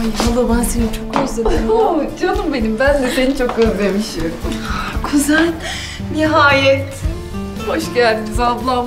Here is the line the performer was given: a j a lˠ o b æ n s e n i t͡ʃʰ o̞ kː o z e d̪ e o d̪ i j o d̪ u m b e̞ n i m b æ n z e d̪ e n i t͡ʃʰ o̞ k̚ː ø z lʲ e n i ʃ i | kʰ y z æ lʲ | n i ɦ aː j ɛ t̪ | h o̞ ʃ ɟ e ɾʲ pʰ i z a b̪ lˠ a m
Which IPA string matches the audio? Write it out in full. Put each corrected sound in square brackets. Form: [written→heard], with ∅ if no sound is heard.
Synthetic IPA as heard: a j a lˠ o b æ n s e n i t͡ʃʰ o̞ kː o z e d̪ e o d̪ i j o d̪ u m b e̞ n i m b æ n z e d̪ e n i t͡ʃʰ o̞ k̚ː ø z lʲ e [n→m] i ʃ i | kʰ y z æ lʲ | n i ɦ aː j ɛ t̪ | h o̞ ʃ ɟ [e→æ] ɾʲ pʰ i z a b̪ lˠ a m